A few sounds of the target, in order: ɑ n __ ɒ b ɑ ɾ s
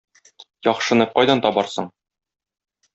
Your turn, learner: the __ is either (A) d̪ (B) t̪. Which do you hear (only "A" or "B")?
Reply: B